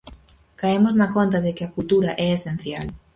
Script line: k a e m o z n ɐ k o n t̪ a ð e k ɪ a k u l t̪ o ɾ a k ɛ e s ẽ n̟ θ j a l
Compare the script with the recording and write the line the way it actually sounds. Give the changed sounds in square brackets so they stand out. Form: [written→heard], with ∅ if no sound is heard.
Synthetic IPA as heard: k a e m o z n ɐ k o n t̪ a ð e k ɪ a k u l t̪ [o→u] ɾ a [k→ʔ] ɛ e s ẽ n̟ θ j a l